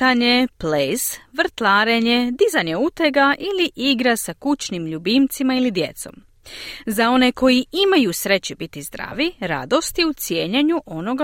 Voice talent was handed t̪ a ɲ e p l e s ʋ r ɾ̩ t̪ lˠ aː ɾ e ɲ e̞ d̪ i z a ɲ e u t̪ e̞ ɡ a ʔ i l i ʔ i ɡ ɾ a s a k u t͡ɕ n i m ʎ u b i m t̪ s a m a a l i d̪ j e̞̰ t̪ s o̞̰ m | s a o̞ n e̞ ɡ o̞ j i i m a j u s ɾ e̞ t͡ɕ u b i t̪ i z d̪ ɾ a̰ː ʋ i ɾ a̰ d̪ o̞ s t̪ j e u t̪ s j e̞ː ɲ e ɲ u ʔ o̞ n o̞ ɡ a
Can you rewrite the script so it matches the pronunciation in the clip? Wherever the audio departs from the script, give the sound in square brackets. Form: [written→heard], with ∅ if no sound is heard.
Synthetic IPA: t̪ a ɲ e p l e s ʋ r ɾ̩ t̪ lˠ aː ɾ e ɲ e̞ d̪ i z a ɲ e u t̪ e̞ ɡ a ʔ i l i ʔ i ɡ ɾ a s a k u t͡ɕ n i m ʎ u b i m t̪ s [a→i] m a [a→i] l i d̪ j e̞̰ t̪ s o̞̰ m | [s→z] a o̞ n e̞ [ɡ→k] o̞ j i i m a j u s ɾ e̞ t͡ɕ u b i t̪ i z d̪ ɾ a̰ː ʋ i ɾ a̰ d̪ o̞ s t̪ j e u t̪ s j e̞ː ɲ e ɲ u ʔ o̞ n o̞ ɡ a